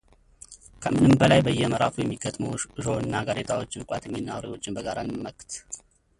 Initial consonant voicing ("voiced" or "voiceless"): voiceless